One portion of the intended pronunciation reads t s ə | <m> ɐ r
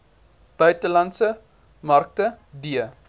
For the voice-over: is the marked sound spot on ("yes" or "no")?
yes